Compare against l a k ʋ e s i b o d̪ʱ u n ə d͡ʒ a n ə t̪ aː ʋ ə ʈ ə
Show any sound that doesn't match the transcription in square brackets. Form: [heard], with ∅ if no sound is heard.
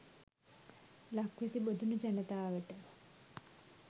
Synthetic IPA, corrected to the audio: l a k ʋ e s i b o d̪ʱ u n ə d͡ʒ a n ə t̪ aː ʋ ə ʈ ə